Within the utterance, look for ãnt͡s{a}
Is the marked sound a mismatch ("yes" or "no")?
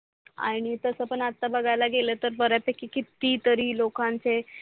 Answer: yes